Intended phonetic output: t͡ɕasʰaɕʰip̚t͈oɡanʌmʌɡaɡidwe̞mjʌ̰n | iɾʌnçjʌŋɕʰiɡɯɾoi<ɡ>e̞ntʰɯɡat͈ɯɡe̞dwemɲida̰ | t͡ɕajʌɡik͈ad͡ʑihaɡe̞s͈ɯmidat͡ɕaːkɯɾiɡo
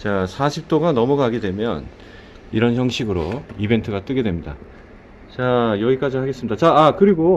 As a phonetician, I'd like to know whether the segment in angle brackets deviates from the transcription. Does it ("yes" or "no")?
yes